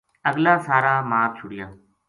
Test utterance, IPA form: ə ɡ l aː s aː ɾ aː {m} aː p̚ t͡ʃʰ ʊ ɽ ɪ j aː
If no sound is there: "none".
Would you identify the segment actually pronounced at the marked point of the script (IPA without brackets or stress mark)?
m